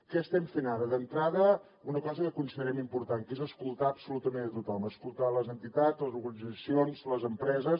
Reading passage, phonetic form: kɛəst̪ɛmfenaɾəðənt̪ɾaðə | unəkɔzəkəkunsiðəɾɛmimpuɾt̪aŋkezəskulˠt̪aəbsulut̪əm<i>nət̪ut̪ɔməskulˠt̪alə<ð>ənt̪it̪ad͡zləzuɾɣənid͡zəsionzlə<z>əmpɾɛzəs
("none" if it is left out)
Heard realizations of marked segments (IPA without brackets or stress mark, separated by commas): e, z, z